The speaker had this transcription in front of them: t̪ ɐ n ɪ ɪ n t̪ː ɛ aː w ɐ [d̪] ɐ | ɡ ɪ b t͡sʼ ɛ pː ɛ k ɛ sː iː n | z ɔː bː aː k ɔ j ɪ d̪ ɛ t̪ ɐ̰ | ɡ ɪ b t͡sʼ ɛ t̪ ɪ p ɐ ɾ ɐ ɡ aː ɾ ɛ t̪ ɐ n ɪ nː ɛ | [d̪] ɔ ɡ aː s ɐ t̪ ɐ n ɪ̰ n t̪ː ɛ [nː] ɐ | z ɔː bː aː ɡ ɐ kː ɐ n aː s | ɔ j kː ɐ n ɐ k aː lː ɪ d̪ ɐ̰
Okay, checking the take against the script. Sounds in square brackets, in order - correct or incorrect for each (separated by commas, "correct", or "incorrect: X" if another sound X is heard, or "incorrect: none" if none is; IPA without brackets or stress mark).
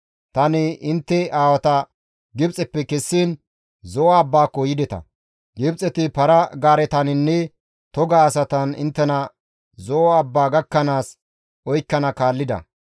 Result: incorrect: t̪, incorrect: t̪, incorrect: n